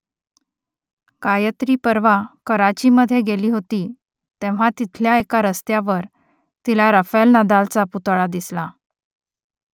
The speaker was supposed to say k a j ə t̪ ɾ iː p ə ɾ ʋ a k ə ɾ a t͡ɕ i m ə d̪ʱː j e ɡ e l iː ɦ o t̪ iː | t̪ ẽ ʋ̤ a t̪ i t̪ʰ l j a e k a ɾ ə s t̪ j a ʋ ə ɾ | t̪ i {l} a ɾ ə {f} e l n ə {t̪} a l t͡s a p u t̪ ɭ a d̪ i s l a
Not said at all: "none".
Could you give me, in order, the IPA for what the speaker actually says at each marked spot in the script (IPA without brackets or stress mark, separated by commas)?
l, f, d̪